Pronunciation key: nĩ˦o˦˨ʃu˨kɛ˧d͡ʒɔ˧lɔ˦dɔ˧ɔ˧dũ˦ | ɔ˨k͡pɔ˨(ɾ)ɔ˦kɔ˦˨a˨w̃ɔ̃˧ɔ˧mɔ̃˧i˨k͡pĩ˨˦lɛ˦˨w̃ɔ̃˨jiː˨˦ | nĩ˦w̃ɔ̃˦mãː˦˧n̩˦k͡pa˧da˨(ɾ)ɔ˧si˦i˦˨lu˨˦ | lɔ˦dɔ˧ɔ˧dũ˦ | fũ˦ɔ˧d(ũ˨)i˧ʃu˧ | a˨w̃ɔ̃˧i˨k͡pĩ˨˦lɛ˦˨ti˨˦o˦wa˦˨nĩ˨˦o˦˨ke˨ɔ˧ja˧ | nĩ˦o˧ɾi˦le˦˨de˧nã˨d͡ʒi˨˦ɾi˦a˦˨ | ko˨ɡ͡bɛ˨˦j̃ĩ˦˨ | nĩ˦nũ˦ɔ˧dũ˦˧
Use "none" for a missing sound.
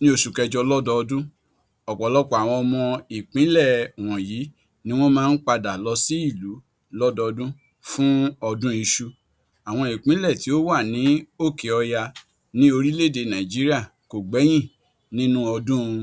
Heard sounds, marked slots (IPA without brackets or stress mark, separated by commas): l, l, ũ˦